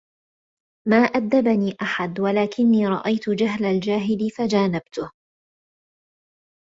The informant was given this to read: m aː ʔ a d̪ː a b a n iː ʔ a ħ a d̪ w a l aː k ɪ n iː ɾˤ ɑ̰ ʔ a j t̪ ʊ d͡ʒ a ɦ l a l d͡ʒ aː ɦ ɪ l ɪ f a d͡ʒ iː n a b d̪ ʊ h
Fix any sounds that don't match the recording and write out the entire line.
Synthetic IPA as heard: m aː ʔ a d̪ː a b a n iː ʔ a ħ a d̪ w a l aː k ɪ nː iː ɾˤ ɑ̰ ʔ a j t̪ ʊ d͡ʒ a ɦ l a l d͡ʒ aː ɦ ɪ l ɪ f a d͡ʒ aː n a b t̪ ʊ h

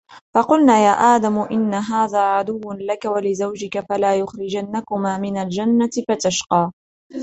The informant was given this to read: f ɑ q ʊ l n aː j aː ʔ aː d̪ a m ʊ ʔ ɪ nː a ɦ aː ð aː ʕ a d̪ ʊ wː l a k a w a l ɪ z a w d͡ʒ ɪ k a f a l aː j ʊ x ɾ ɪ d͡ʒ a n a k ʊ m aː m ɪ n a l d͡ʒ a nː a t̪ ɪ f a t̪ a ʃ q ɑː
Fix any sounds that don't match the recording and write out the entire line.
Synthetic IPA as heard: f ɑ q ʊ l n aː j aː ʔ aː d̪ a m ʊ ʔ ɪ nː a ɦ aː ð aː ʕ a d̪ ʊ wː l a k a w a l ɪ z a w d͡ʒ ɪ k a f a l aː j ʊ x ɾ ɪ d͡ʒ a nː a k ʊ m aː m ɪ n a l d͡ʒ a nː a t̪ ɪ f a t̪ a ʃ q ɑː

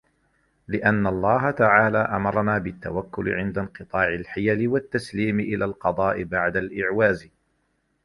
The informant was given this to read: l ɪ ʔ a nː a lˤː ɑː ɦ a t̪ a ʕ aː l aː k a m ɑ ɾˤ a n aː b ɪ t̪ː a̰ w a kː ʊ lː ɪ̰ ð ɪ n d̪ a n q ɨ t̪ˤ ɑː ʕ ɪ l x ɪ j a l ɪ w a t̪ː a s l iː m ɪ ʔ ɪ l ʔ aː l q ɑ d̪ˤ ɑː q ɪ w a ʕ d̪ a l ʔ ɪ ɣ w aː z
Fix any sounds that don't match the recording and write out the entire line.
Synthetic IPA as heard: l ɪ ʔ a nː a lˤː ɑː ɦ a t̪ a ʕ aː l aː ʔ a m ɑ ɾˤ ɑ n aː b ɪ t̪ː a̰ w a kː ʊ l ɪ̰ ʕ ɪ n d̪ a n q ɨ t̪ˤ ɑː ʕ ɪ l ħ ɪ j a l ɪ w a t̪ː a s l iː m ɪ ʔ ɪ l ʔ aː l q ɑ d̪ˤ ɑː ʔ ɪ b a ʕ d̪ a l ʔ ɪ ʕ w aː z

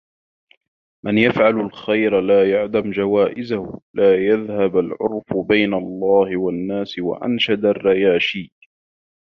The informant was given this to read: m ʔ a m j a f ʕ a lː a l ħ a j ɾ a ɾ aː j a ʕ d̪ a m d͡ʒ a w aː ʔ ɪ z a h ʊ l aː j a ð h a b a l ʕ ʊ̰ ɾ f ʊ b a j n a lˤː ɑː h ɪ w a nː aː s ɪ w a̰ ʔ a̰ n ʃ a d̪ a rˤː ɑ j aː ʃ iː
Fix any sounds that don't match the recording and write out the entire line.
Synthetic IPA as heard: m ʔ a n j a f ʕ a l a l x a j ɾ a l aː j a ʕ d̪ a m d͡ʒ a w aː ʔ ɪ z a h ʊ l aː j a ð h a b a l ʕ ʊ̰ ɾ f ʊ b a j n a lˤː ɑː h ɪ w a nː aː s ɪ w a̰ ʔ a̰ n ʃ a d̪ a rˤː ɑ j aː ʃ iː

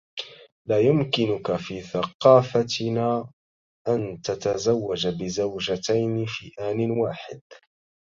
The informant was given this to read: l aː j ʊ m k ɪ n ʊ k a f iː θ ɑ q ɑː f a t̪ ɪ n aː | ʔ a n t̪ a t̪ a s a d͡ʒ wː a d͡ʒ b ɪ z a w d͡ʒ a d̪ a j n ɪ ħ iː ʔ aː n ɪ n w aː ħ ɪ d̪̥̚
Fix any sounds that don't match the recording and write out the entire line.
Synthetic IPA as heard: l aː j ʊ m k ɪ n ʊ k a f iː θ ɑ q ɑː f a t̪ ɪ n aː | ʔ a n t̪ a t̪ a z a wː a d͡ʒ b ɪ z a w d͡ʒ a t̪ a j n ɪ f iː ʔ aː n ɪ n w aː ħ ɪ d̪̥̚

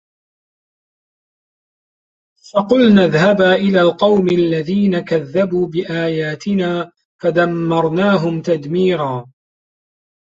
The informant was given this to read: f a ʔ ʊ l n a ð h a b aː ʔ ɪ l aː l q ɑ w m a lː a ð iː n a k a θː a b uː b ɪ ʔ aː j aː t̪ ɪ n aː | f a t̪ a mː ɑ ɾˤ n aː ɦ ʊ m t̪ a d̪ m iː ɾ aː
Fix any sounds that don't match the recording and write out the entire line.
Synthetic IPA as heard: f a q ʊ l n a ð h a b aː ʔ ɪ l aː l q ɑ w m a lː a ð iː n a k a ðː a b uː b ɪ ʔ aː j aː t̪ ɪ n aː | f a d̪ a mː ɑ ɾˤ n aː ɦ ʊ m t̪ a d̪ m iː ɾ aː

